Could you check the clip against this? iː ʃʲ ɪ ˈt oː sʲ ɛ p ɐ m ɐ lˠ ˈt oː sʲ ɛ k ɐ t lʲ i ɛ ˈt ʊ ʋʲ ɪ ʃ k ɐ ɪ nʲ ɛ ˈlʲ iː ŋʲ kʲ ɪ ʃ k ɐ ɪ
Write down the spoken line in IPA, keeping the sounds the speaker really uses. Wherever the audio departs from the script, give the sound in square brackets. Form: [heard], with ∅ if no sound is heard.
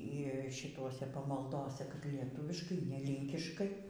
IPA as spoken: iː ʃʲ ɪ ˈt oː sʲ ɛ p ɐ m ɐ lˠ [ˈd] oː sʲ ɛ k ɐ t lʲ i ɛ ˈt ʊ ʋʲ ɪ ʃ k ɐ ɪ nʲ ɛ ˈlʲ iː ŋʲ kʲ ɪ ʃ k ɐ ɪ